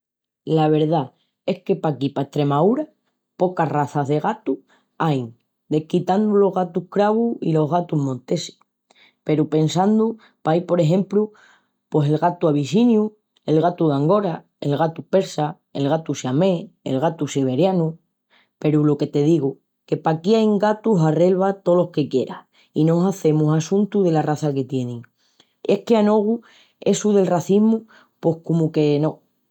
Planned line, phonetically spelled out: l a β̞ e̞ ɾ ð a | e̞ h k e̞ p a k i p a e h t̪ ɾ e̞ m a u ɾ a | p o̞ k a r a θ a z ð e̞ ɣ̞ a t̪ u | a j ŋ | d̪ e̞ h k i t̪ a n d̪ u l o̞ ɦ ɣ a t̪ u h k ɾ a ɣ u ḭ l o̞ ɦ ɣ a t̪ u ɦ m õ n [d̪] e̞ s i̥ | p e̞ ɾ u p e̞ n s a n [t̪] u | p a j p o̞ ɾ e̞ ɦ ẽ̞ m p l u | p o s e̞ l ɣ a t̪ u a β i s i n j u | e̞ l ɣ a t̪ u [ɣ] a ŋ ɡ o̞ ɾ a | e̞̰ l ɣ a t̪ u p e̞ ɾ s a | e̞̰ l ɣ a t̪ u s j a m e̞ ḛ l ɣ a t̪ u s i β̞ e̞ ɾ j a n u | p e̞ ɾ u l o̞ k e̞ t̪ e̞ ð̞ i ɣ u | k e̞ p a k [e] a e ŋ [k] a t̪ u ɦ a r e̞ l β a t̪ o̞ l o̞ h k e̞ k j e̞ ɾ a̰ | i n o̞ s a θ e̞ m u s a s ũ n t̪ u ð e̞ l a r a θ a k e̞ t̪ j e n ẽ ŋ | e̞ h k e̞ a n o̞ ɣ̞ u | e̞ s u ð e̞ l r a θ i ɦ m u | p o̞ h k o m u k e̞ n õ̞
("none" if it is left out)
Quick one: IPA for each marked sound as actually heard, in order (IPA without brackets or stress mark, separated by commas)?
t̪, d̪, ð, i, ɡ